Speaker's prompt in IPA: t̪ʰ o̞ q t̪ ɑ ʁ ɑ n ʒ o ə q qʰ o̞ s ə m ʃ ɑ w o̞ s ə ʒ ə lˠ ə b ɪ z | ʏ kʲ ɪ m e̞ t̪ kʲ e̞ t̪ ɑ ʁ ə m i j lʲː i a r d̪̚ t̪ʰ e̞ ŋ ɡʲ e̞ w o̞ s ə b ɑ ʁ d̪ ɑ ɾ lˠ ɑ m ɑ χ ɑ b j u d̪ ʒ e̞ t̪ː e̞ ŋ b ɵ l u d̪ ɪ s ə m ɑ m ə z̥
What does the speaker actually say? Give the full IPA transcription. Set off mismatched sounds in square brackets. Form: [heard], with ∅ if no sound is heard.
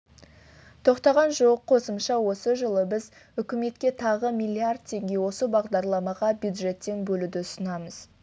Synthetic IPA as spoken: t̪ʰ o̞ q t̪ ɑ ʁ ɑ n ʒ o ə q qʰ o̞ s ə m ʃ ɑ w o̞ s ə ʒ ə lˠ ə b ɪ z | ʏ kʲ ɪ m e̞ t̪ kʲ e̞ [t̪ʰ] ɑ ʁ ə m i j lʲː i a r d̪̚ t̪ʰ e̞ ŋ ɡʲ e̞ w o̞ s ə b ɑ ʁ d̪ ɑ ɾ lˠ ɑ m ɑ [ʁ] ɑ b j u d̪ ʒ e̞ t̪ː e̞ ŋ b ɵ l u d̪ ɪ s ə [n] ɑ m ə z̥

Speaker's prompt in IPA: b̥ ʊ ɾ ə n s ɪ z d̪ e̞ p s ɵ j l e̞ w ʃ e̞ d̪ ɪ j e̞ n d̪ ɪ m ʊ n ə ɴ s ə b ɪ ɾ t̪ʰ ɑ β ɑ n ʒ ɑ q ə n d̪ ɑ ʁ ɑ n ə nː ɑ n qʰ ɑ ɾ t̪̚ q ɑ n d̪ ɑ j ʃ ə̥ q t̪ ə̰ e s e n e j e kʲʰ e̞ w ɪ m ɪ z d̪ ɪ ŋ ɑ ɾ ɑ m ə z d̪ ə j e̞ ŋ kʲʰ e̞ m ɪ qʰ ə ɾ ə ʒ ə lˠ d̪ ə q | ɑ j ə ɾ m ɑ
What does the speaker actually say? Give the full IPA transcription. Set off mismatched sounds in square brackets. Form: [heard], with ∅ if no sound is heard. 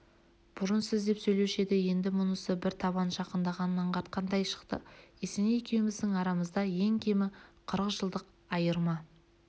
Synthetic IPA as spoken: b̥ ʊ ɾ ə n s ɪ z d̪ e̞ p s ɵ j l e̞ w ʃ e̞ d̪ ɪ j e̞ n d̪ ɪ m ʊ n ə [∅] s ə b ɪ ɾ t̪ʰ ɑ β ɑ n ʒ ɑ q ə n d̪ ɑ ʁ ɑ n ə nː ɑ [ɴ] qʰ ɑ ɾ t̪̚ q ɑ n d̪ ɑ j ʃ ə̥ q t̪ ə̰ e s e n e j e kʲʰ e̞ w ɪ m ɪ z d̪ ɪ ŋ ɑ ɾ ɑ m ə z d̪ [ɑ] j e̞ ŋ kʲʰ e̞ m ɪ qʰ ə ɾ ə ʒ ə lˠ d̪ ə q | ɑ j ə ɾ m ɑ

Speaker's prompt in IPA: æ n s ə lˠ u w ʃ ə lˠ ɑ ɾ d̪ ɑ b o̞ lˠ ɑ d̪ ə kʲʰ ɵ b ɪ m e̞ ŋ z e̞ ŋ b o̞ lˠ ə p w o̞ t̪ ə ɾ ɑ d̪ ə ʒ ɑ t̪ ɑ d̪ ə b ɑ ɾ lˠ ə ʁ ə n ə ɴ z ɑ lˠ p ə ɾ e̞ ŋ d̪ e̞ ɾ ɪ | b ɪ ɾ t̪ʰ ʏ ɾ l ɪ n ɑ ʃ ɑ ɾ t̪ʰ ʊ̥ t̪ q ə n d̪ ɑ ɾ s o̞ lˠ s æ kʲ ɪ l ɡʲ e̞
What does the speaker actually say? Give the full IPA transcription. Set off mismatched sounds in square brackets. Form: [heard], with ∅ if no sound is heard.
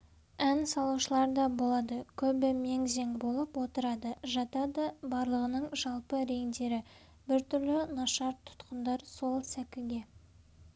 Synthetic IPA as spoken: æ n s [ɑ] lˠ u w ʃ ə lˠ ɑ ɾ d̪ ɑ b o̞ lˠ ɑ d̪ ə kʲʰ ɵ b ɪ m e̞ ŋ z e̞ ŋ b o̞ lˠ ə p w o̞ t̪ ə ɾ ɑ d̪ ə ʒ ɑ t̪ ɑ d̪ ə b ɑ ɾ lˠ ə ʁ ə n ə ɴ [ʒ] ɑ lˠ p ə ɾ e̞ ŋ d̪ e̞ ɾ ɪ | b ɪ ɾ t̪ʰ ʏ ɾ l ɪ n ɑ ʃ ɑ ɾ t̪ʰ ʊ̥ t̪ q ə n d̪ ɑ ɾ s o̞ lˠ s æ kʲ ɪ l ɡʲ e̞

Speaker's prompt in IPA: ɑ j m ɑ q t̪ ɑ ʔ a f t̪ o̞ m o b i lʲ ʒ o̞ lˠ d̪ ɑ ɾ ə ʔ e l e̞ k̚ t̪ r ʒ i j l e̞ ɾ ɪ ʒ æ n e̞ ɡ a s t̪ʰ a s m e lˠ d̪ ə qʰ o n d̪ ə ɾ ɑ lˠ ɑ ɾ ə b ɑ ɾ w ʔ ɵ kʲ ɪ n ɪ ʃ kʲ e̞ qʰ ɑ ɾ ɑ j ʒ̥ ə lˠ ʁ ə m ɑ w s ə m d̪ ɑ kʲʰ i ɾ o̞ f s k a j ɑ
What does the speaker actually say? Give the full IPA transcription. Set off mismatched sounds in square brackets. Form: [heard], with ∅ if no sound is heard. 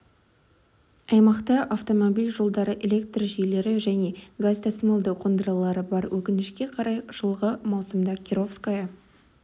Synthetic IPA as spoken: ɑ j m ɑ q t̪ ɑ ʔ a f t̪ o̞ m o b i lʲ ʒ o̞ lˠ d̪ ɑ ɾ ə ʔ e l e̞ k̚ t̪ r ʒ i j l e̞ ɾ ɪ ʒ æ n e̞ ɡ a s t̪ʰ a s m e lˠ d̪ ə qʰ o n d̪ ə ɾ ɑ lˠ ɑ ɾ ə b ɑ ɾ w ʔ ɵ kʲ ɪ n ɪ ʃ kʲ e̞ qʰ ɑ ɾ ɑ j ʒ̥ ə lˠ ʁ ə m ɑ w s ə m d̪ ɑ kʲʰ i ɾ o̞ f s k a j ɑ

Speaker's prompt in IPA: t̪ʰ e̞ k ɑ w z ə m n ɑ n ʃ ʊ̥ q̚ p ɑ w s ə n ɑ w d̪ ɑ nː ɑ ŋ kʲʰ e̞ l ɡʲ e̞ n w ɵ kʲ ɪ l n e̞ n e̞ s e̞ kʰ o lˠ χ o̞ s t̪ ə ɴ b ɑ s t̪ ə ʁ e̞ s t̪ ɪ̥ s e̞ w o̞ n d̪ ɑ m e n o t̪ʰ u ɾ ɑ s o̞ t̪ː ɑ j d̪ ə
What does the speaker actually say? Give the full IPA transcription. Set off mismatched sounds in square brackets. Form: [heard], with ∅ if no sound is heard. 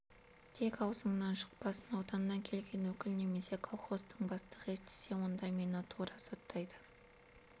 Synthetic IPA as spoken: t̪ʰ e̞ k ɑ w z ə [ɴ] n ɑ n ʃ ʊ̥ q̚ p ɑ [∅] s ə n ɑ w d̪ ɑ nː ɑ ŋ kʲʰ e̞ l ɡʲ e̞ n w ɵ kʲ ɪ l n e̞ [m] e̞ s e̞ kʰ o lˠ χ o̞ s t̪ ə ɴ b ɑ s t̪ ə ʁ e̞ s t̪ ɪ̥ s e̞ w o̞ n d̪ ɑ m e n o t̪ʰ u ɾ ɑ s o̞ t̪ː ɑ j d̪ ə

